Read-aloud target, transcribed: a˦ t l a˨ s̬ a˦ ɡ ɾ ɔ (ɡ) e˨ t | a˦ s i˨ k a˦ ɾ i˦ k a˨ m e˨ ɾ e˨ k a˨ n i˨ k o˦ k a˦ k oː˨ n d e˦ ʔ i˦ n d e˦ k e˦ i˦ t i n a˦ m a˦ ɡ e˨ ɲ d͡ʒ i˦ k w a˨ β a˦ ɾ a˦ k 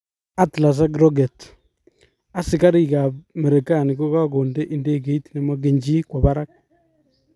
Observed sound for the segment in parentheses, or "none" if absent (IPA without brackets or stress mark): ɡ